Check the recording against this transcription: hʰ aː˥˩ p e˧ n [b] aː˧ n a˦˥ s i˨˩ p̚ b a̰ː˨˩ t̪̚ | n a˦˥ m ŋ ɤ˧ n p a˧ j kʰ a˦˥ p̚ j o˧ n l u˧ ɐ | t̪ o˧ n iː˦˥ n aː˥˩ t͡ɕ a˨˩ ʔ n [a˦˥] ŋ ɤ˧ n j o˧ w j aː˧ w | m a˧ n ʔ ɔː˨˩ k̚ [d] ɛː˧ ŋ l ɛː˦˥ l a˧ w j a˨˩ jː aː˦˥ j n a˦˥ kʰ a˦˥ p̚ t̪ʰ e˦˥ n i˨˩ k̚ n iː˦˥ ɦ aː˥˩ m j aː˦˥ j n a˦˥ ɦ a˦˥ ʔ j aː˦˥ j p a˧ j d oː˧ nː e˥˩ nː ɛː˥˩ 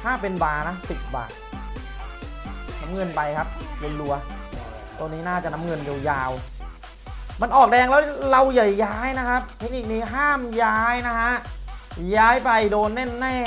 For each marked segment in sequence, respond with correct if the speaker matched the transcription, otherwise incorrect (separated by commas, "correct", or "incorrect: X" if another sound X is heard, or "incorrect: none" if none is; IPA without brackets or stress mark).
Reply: correct, correct, correct